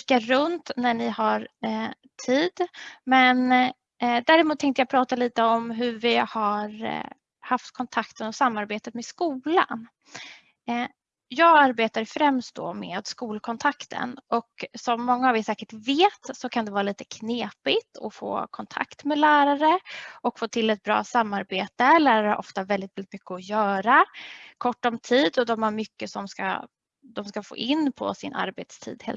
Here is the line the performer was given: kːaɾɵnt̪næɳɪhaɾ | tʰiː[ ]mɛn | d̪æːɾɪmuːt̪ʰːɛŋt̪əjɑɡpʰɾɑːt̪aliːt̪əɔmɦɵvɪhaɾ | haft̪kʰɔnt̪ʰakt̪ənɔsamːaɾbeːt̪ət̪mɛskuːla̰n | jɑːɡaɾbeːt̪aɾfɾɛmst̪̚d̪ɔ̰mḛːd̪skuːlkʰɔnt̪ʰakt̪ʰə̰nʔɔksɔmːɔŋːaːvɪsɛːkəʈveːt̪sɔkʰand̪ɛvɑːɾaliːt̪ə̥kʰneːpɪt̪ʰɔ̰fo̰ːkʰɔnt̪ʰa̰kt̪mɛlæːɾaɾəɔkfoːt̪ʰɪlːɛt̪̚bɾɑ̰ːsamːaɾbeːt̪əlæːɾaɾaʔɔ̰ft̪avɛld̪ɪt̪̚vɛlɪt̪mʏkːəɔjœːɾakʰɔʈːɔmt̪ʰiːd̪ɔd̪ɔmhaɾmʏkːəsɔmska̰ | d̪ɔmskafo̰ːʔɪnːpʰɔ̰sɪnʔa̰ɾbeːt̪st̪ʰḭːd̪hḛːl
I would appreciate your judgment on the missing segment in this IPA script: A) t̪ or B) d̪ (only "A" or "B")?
B